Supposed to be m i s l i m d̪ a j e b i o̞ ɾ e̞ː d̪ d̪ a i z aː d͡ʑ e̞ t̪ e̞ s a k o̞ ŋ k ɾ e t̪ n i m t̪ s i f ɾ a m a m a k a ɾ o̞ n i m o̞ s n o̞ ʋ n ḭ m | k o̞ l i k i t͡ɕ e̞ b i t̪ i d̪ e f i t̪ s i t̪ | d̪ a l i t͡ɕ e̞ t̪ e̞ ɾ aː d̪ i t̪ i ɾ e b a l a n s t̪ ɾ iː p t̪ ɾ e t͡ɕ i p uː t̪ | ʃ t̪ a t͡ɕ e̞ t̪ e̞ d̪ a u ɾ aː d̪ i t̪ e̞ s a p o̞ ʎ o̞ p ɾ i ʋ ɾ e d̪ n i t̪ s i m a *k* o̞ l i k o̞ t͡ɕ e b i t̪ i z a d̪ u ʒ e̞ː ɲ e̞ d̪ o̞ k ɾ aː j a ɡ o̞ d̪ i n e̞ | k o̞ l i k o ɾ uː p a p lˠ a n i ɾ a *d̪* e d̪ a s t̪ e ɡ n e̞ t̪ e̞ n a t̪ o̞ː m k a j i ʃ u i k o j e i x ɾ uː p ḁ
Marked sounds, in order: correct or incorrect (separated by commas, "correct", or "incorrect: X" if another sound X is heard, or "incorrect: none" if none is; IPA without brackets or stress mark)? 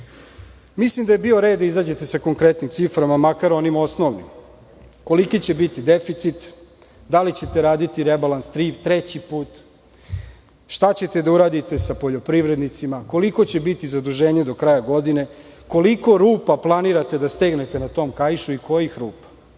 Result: correct, incorrect: t̪